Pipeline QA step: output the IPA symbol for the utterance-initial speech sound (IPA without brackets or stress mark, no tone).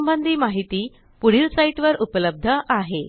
m